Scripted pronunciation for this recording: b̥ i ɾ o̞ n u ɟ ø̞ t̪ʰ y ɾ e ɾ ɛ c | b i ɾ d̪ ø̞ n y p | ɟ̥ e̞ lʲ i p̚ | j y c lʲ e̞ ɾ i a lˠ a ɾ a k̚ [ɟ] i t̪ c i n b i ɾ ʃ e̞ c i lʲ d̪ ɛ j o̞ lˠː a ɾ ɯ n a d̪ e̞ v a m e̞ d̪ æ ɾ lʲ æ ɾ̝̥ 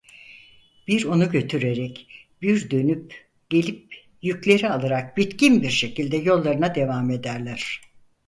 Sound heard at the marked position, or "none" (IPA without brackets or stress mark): b